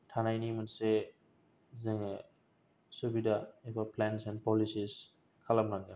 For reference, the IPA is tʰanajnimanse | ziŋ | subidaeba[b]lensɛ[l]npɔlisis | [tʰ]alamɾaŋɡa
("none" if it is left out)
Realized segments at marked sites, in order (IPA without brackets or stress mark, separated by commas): p, none, kʰ